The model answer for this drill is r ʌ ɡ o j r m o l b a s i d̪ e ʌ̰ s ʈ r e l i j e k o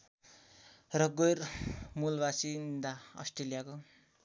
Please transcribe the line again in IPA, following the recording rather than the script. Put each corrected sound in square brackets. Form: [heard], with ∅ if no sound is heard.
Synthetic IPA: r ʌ ɡ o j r m [u] l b a s i d̪ [a] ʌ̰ s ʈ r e l i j [a] k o